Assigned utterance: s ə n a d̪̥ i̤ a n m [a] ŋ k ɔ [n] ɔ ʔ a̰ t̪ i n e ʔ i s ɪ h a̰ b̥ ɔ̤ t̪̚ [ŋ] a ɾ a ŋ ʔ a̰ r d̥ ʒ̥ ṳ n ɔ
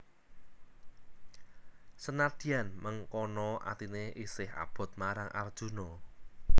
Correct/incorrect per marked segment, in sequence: incorrect: ə, correct, incorrect: m

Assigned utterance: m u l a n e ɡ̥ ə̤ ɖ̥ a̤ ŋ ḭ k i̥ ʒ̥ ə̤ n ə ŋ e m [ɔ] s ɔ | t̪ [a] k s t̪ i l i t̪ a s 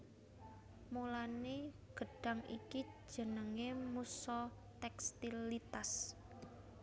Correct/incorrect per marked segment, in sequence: incorrect: u, incorrect: ɛ

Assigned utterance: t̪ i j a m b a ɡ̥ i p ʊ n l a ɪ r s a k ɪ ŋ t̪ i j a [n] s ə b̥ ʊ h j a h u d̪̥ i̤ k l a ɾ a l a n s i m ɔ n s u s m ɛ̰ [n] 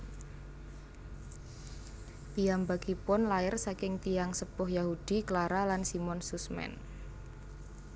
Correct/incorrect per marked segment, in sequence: incorrect: ŋ, correct

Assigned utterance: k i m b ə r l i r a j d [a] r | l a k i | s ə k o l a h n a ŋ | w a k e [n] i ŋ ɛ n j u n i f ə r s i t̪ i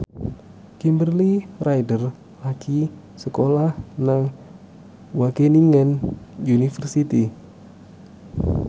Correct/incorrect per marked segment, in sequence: incorrect: ə, correct

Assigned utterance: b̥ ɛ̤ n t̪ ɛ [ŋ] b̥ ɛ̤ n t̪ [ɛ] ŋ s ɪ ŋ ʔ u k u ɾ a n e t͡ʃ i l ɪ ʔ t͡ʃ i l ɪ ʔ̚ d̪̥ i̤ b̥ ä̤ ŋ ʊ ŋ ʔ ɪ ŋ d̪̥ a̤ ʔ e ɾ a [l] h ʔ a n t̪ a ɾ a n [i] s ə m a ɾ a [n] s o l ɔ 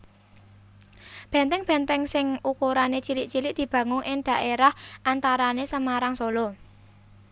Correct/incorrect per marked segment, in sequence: correct, correct, incorrect: none, incorrect: e, incorrect: ŋ

